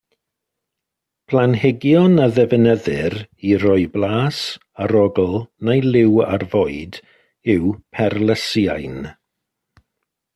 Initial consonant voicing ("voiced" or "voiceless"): voiceless